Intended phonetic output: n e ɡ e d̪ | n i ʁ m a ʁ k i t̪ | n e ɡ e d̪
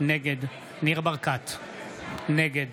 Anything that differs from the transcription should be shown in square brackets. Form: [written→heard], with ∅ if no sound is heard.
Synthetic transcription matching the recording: n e ɡ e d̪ | n i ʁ [m→b] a ʁ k [i→a] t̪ | n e ɡ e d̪